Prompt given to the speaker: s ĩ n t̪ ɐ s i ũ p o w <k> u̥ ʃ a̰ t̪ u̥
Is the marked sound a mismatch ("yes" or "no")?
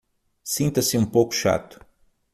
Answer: no